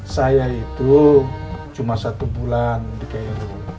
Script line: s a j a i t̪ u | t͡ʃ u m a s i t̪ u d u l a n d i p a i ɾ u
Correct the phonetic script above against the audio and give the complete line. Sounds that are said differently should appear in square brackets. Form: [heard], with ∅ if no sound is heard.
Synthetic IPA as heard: s a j a i t̪ u | t͡ʃ u m a s [a] t̪ u [b] u l a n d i [k] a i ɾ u